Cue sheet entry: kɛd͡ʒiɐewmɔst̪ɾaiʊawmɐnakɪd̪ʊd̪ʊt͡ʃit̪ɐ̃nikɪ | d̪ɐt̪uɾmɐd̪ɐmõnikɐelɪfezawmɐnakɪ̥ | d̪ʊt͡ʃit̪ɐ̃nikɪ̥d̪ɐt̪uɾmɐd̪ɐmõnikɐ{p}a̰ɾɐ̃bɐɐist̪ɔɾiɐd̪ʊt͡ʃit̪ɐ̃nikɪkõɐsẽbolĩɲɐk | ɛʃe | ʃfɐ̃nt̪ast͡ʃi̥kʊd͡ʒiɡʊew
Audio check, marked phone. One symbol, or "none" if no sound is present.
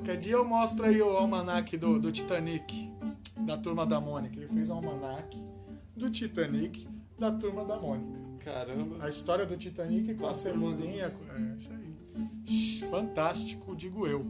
k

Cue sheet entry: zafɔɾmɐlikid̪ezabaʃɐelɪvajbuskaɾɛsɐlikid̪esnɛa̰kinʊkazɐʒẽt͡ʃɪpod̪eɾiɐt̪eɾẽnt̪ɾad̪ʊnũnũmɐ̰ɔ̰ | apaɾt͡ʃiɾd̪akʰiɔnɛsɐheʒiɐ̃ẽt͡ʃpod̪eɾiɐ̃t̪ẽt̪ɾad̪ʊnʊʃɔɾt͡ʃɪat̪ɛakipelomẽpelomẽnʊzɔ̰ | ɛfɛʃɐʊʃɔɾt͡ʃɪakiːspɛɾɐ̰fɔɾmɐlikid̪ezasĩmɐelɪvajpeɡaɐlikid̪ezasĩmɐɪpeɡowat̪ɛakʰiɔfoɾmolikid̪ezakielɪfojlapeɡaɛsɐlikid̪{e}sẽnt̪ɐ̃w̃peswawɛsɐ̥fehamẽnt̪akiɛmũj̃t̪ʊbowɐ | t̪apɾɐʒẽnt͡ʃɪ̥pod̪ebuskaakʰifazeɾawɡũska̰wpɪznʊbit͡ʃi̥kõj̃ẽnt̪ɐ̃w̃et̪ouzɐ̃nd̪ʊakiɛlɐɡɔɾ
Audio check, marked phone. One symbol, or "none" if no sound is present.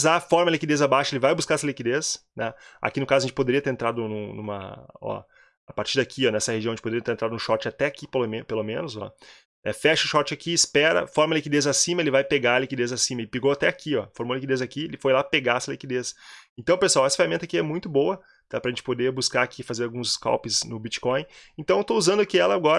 e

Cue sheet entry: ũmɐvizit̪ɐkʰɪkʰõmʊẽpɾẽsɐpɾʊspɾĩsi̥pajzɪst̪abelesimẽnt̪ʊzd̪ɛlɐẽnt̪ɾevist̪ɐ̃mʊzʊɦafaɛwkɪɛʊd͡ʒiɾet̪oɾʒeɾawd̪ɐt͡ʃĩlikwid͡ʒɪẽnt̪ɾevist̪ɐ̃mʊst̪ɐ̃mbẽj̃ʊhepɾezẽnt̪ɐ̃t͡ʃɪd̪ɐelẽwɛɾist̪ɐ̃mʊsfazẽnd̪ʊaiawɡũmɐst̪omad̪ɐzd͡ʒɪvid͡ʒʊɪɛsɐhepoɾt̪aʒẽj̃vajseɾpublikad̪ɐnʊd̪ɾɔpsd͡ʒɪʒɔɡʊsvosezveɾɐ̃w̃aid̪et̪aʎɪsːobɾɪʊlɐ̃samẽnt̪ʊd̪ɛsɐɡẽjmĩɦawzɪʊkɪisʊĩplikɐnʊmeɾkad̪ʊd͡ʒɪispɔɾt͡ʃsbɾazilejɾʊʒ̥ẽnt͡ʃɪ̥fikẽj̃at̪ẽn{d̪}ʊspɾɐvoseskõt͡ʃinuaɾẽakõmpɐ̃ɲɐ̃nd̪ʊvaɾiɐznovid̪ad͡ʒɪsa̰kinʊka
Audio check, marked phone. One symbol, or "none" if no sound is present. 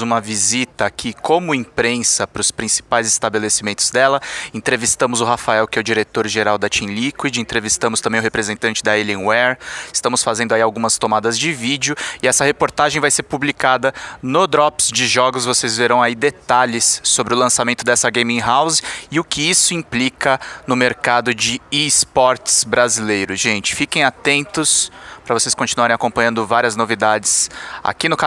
t̪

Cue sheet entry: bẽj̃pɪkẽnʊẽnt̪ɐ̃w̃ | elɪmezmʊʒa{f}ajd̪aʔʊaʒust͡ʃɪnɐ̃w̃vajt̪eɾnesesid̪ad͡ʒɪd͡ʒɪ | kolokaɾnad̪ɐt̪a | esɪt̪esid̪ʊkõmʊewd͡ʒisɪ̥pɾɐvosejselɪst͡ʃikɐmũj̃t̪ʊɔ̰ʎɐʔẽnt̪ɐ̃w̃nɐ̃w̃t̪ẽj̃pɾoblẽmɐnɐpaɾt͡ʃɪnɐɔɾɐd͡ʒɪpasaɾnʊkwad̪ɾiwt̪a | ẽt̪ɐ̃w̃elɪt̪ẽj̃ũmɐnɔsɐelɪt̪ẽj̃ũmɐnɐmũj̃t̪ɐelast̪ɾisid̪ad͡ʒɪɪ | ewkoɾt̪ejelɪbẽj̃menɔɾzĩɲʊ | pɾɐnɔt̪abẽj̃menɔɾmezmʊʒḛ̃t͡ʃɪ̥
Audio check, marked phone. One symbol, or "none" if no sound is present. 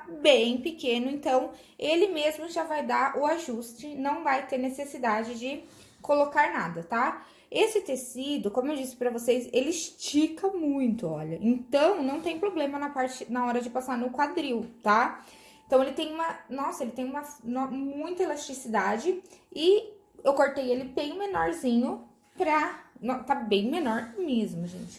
v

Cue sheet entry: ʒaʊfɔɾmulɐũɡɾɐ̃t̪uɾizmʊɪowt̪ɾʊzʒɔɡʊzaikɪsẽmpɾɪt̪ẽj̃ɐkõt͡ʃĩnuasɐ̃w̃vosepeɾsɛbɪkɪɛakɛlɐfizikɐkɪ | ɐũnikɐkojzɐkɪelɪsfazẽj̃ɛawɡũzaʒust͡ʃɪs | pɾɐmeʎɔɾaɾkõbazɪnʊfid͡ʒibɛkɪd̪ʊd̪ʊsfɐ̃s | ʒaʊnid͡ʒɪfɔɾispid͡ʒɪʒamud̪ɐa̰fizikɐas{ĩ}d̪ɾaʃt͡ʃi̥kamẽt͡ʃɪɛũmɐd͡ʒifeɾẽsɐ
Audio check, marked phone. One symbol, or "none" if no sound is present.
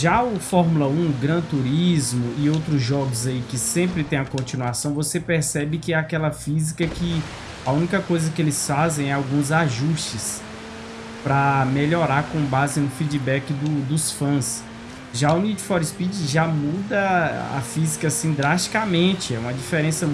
ĩ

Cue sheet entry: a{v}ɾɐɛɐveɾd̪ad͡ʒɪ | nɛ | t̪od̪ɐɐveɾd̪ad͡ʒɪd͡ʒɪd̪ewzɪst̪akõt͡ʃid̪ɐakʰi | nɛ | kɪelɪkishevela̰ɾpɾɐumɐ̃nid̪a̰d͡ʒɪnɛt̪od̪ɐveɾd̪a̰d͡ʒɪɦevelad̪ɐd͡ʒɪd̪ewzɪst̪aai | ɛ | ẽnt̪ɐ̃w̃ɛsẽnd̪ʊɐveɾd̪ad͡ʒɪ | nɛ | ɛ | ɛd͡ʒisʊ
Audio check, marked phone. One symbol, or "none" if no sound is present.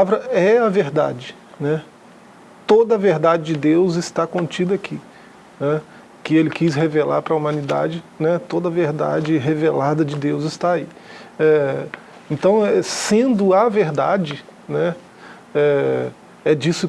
v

